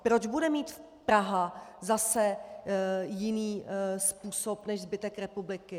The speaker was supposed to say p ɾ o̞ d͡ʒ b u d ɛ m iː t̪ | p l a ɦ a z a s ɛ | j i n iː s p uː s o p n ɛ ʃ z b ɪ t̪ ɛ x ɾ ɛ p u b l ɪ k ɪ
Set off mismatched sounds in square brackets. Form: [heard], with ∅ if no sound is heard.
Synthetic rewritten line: p ɾ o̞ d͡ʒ b u d ɛ m iː t̪ | p [ɾ] a ɦ a z a s ɛ | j [ɪ] n iː s p uː s o p n ɛ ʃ z b ɪ t̪ ɛ [k] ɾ ɛ p u b l ɪ k ɪ

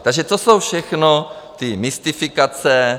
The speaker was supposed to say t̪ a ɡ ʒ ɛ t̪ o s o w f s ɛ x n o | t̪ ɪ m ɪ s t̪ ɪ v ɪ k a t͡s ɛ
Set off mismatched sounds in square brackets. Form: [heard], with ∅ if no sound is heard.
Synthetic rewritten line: t̪ a ɡ ʒ ɛ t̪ o s o w f [ʃ] ɛ x n o | t̪ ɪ m ɪ s t̪ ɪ [f] ɪ k a t͡s ɛ

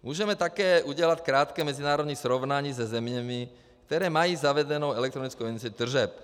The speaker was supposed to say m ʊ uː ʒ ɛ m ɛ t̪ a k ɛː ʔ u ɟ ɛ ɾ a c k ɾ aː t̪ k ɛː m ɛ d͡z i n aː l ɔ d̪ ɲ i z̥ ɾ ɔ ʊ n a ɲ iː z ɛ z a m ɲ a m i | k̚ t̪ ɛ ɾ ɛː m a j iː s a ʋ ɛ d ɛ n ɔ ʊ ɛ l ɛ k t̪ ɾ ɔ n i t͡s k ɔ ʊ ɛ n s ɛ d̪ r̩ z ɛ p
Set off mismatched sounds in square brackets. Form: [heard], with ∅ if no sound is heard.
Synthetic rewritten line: m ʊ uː ʒ ɛ m ɛ t̪ a k ɛː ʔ u ɟ ɛ [l] a c k ɾ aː t̪ k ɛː m ɛ d͡z i n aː [ɾ] ɔ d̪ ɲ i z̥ ɾ ɔ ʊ n a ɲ iː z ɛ z [ɛ] m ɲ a m i | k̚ t̪ ɛ ɾ ɛː m a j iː [z] a ʋ ɛ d ɛ n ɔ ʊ ɛ l ɛ k t̪ ɾ ɔ n i t͡s k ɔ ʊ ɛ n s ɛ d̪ r̩ [ʒ] ɛ p

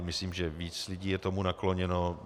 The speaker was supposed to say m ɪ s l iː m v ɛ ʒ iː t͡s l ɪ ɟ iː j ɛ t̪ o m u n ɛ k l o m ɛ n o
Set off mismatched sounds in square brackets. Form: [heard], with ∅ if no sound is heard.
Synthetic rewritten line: m ɪ s l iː m [ʒ] ɛ [v] iː t͡s l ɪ ɟ iː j ɛ t̪ o m u n [a] k l o [ɲ] ɛ n o

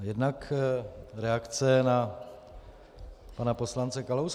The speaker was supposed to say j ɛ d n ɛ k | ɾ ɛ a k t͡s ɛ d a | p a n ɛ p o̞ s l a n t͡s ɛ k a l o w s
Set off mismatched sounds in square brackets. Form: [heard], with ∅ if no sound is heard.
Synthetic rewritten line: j ɛ d n [a] k | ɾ ɛ a k t͡s ɛ [n] a | p a n [a] p o̞ s l a n t͡s ɛ k a l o w s

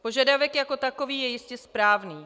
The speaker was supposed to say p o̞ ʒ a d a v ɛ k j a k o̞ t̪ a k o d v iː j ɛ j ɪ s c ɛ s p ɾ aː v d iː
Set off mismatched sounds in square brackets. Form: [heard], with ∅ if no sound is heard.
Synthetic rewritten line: p o̞ ʒ a d a v ɛ k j a k o̞ t̪ a k o [∅] v iː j ɛ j ɪ s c ɛ s p ɾ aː v [n] iː

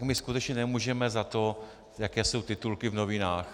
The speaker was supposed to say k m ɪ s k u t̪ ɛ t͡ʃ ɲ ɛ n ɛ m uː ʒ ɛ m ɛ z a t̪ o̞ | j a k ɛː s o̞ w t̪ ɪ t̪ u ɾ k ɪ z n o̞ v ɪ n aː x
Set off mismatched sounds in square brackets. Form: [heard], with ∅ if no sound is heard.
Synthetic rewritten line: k m ɪ s k u t̪ ɛ t͡ʃ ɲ ɛ n ɛ m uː ʒ ɛ m ɛ z a t̪ o̞ | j a k ɛː s o̞ w t̪ ɪ t̪ u [l] k ɪ [v] n o̞ v ɪ n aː x

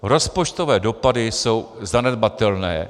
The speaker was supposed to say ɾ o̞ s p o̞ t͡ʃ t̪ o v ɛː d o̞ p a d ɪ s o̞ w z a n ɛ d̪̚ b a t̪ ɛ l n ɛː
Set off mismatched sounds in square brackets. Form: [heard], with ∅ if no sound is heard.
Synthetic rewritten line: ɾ o̞ s p o̞ t͡ʃ t̪ o v ɛː d o̞ p a d ɪ s o̞ w z a n ɛ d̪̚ b a t̪ ɛ l n ɛː

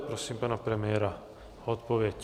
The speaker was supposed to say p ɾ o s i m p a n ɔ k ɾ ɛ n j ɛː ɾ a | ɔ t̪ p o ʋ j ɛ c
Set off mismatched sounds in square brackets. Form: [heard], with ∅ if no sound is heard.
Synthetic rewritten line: p ɾ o s i m p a n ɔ [p] ɾ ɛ [m] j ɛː ɾ a | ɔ t̪ p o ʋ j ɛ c

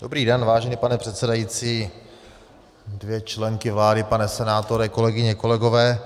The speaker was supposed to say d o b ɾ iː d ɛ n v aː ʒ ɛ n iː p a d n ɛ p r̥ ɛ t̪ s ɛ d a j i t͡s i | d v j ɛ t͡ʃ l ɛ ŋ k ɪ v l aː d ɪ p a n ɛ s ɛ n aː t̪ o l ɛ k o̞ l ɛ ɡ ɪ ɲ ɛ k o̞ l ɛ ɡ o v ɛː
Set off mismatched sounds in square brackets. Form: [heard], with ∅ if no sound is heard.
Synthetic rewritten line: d o b ɾ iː d ɛ n v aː ʒ ɛ n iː p a [∅] n ɛ p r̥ ɛ t̪ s ɛ d a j i t͡s [iː] | d v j ɛ t͡ʃ l ɛ ŋ k ɪ v l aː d ɪ p a n ɛ s ɛ n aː t̪ o [ɾ] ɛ k o̞ l ɛ ɡ ɪ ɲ ɛ k o̞ l ɛ ɡ o v ɛː

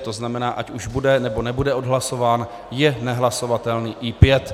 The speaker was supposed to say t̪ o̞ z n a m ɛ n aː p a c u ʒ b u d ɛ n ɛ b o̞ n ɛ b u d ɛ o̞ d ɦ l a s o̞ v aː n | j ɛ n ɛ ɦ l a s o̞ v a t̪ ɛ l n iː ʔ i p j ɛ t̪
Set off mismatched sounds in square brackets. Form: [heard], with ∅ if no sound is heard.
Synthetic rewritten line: t̪ o̞ z n a m ɛ n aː [ʔ] a c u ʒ b u d ɛ n ɛ b o̞ n ɛ b u d ɛ o̞ d ɦ l a s o̞ v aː n | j ɛ n ɛ ɦ l a s o̞ v a t̪ ɛ l n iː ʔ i p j ɛ t̪

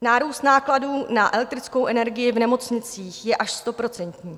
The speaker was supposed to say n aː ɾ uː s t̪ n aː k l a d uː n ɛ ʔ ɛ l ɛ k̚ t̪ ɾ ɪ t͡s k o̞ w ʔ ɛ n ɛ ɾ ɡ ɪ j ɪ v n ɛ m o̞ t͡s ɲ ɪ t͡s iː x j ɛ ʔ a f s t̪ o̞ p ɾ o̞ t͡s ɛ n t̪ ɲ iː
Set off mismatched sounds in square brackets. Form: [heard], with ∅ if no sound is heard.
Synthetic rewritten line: n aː ɾ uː s t̪ n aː k l a d uː n [a] ʔ ɛ l ɛ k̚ t̪ ɾ ɪ t͡s k o̞ w ʔ ɛ n ɛ ɾ ɡ ɪ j ɪ v n ɛ m o̞ t͡s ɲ ɪ t͡s iː x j ɛ ʔ a [ʃ] s t̪ o̞ p ɾ o̞ t͡s ɛ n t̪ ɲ iː

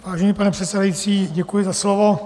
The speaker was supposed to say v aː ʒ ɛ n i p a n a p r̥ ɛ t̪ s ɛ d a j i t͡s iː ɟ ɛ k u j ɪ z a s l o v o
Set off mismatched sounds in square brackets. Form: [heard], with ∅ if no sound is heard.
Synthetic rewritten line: v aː ʒ ɛ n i p a n [ɛ] p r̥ ɛ t̪ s ɛ d a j i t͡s iː ɟ ɛ k u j ɪ z a s l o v o

